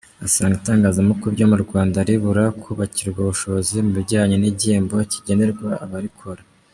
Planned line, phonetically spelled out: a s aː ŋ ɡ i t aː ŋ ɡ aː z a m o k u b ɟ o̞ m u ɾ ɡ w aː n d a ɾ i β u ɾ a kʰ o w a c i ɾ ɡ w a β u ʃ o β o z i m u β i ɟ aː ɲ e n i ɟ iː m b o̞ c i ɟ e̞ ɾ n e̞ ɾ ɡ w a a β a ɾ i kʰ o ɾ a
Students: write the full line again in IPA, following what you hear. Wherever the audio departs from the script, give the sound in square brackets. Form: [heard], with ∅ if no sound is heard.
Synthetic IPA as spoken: a s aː ŋ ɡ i t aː ŋ ɡ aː z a m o k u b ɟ o̞ m u ɾ ɡ w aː n d a ɾ i β u ɾ a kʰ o [β] a c i ɾ ɡ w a β u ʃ o β o z i m u β i ɟ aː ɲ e n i ɟ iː m b o̞ c i ɟ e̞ [∅] n e̞ ɾ ɡ w a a β a ɾ i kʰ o ɾ a